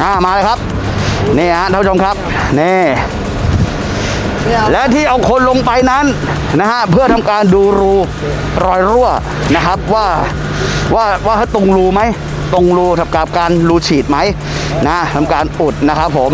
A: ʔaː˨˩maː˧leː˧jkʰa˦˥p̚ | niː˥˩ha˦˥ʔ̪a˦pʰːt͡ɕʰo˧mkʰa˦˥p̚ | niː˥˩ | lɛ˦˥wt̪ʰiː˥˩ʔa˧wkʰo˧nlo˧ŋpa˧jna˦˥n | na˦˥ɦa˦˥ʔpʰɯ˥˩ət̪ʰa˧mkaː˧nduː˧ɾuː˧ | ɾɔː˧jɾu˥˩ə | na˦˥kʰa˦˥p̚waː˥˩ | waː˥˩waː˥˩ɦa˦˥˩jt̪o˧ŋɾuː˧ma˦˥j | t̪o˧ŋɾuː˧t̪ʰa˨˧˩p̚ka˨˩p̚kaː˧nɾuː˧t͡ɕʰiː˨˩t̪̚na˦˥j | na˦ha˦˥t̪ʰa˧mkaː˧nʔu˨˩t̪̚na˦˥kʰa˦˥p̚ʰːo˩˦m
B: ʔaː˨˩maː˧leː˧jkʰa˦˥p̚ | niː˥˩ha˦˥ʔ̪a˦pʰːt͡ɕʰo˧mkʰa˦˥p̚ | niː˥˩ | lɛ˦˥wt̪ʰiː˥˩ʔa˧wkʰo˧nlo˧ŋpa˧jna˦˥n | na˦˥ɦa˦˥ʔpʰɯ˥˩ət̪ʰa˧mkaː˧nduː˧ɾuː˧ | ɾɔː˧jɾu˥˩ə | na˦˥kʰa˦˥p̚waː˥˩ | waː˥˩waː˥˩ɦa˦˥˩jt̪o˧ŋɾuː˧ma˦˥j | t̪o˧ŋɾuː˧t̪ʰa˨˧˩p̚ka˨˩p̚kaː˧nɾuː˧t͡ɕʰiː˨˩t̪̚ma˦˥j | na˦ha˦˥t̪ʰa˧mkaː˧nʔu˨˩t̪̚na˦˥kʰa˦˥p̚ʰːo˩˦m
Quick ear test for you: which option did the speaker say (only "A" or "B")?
B